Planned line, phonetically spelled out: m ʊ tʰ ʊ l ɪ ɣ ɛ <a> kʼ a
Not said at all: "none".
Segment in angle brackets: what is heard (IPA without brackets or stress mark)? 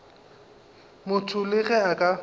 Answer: a